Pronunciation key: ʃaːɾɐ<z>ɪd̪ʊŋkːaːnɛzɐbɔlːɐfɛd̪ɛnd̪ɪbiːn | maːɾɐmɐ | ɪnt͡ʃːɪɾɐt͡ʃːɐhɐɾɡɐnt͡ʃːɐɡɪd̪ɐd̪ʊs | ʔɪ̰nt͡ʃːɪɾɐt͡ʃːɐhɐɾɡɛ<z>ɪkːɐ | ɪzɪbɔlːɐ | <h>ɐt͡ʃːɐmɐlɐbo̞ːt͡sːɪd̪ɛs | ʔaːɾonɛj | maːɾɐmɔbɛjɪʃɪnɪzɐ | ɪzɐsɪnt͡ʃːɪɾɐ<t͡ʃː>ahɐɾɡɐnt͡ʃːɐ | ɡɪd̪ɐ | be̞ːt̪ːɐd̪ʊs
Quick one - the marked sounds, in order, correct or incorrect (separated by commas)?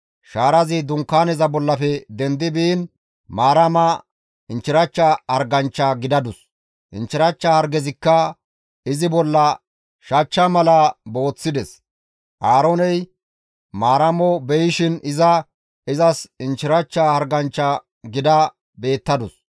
correct, correct, incorrect, correct